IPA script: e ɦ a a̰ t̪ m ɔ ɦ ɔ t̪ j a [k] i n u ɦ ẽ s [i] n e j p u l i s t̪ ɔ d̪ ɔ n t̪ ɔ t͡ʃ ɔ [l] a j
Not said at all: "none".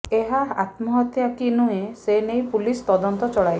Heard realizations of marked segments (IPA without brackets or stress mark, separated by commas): k, e, ɭ